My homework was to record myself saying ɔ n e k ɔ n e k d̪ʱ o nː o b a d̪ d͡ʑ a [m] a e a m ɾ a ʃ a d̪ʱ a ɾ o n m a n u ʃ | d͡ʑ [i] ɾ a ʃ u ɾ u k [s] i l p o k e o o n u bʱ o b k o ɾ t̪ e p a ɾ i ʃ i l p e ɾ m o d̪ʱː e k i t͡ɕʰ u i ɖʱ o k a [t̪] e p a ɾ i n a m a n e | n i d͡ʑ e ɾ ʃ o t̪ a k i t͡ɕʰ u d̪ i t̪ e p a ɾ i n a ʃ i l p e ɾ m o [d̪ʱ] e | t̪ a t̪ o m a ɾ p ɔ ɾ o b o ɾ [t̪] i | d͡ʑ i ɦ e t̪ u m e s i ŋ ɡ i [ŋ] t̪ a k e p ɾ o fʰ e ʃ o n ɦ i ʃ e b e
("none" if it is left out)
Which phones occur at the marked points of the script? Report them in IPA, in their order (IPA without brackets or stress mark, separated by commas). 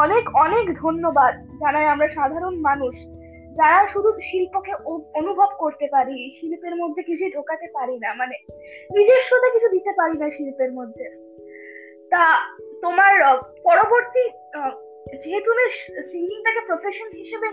n, a, ʃ, t̪, d̪ʱː, t̪, ŋ